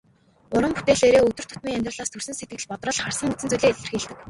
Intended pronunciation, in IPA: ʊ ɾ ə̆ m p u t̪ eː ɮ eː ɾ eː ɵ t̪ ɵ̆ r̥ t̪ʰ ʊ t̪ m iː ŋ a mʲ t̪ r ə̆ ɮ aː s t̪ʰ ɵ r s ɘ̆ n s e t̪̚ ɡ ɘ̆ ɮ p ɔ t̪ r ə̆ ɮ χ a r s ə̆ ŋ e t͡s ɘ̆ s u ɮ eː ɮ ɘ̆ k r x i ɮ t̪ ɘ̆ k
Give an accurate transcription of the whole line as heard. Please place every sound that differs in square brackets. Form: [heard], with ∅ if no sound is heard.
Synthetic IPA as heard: ʊ ɾ ə̆ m p u t̪ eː ɮ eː ɾ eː ɵ t̪ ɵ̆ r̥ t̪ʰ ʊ t̪ m iː ŋ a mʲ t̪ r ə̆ ɮ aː s t̪ʰ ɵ r s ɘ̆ n s e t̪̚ ɡ ɘ̆ ɮ p ɔ t̪ r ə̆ ɮ χ a r s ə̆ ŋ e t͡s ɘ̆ [t͡s] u ɮ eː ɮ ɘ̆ [∅] r x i ɮ t̪ ɘ̆ k